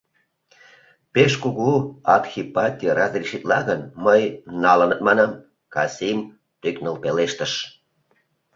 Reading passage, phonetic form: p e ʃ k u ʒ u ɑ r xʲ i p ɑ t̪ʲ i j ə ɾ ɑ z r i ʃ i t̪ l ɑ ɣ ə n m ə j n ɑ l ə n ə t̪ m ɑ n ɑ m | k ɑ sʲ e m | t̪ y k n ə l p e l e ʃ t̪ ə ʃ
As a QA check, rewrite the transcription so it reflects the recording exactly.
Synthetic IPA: p e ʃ k u ɣ u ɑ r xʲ i p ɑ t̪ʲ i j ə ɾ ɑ z r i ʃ i t̪ l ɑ ɣ ə n m ə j n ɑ l ə n ə t̪ m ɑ n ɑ m | k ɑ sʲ i m | t̪ y k n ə l p e l e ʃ t̪ ə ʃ